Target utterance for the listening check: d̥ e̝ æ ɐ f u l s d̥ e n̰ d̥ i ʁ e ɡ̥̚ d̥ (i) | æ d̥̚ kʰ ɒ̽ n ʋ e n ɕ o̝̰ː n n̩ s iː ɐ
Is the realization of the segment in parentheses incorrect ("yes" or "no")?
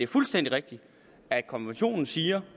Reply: no